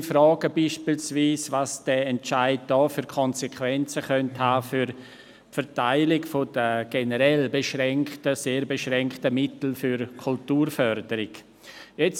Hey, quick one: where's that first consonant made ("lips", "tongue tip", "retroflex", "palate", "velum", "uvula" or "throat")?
lips